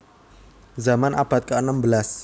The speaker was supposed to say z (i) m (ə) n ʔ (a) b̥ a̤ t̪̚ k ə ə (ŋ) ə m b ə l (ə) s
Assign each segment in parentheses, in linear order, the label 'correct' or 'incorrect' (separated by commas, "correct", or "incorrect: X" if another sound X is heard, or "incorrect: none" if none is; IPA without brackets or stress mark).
incorrect: a, incorrect: a, correct, incorrect: n, incorrect: a